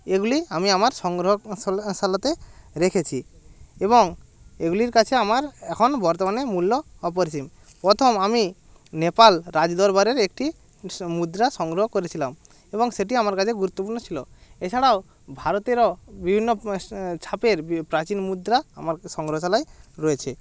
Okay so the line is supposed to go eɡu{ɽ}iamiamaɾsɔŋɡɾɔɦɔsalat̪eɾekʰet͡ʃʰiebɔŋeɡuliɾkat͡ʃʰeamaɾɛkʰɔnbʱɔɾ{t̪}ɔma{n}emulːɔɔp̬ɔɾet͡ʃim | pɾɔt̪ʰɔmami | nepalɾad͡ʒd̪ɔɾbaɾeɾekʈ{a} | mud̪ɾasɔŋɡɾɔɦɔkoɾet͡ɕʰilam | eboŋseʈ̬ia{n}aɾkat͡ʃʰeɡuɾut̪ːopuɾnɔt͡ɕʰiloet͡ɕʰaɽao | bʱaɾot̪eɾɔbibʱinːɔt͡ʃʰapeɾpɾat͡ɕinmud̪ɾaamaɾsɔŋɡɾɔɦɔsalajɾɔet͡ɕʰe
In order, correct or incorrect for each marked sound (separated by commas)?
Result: incorrect, correct, correct, incorrect, incorrect